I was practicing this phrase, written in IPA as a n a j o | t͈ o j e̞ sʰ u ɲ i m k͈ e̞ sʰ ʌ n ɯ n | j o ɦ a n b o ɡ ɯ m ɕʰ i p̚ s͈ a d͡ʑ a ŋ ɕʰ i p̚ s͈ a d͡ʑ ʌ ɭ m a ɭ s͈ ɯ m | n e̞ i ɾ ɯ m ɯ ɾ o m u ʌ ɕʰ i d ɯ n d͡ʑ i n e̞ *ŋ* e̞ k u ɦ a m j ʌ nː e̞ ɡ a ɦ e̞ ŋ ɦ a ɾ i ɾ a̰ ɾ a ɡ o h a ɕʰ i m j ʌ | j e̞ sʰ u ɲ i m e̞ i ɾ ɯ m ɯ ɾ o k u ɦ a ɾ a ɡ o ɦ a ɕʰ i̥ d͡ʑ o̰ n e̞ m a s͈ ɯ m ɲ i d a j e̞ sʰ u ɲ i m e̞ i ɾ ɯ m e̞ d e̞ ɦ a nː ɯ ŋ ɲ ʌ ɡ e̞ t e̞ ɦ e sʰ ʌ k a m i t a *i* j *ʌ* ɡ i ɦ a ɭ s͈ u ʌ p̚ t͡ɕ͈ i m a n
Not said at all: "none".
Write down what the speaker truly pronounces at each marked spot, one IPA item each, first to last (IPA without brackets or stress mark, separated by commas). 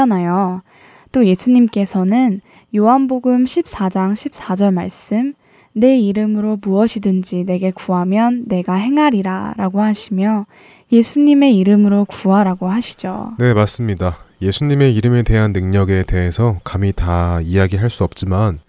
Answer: ɡ, i, a